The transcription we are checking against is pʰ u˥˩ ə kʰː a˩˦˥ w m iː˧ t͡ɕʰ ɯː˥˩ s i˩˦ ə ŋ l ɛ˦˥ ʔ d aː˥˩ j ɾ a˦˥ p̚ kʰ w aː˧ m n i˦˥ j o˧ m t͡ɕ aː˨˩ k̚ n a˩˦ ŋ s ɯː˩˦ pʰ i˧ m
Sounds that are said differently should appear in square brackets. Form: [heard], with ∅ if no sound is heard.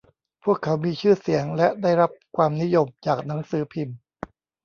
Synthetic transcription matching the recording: pʰ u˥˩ ə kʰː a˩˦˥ w m iː˧ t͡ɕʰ ɯː˥˩ s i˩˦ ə ŋ l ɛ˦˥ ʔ d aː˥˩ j ɾ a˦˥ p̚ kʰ w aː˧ m n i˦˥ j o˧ m t͡ɕ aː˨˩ k̚ n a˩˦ ŋ s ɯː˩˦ pʰ i˧ m

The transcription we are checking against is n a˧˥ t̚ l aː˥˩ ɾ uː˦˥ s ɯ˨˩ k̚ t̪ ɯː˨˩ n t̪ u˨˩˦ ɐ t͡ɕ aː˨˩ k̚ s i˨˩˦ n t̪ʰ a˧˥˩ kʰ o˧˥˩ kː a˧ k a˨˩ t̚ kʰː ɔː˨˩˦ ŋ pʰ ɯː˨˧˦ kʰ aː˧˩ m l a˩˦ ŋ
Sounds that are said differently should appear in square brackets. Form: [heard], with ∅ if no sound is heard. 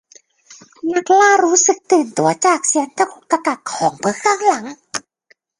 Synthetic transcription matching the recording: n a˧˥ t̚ l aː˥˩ ɾ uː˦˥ s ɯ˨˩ k̚ t̪ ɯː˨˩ n t̪ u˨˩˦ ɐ t͡ɕ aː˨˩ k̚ s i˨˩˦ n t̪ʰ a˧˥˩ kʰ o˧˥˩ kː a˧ k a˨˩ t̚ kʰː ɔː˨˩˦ ŋ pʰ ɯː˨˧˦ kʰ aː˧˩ [ŋ] l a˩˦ ŋ

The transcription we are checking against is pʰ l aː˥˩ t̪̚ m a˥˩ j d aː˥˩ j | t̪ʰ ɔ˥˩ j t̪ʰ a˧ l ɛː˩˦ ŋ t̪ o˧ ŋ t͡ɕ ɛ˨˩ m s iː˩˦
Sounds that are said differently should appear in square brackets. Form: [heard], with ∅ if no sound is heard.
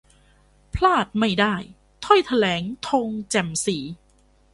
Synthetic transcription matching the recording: pʰ l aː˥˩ t̪̚ m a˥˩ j d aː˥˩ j | t̪ʰ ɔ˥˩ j t̪ʰ a˧ l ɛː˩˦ ŋ [t̪ʰ] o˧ ŋ t͡ɕ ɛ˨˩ m s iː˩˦

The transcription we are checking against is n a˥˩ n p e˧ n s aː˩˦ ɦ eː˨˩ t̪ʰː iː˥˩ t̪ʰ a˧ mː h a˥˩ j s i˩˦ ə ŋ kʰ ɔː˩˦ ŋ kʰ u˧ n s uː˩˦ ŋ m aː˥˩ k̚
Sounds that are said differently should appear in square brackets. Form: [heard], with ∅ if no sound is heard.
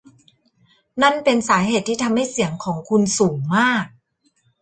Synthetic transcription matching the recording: n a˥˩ n p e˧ n s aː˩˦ ɦ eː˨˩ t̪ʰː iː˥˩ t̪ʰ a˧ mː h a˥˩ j s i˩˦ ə ŋ kʰ ɔː˩˦ ŋ kʰ u˧ n s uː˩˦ ŋ m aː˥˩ k̚

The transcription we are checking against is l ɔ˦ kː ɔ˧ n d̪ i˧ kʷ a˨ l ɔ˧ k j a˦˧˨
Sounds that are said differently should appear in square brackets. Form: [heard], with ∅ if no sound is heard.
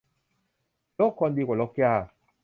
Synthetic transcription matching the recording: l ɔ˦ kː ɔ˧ n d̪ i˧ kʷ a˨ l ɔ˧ k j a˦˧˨

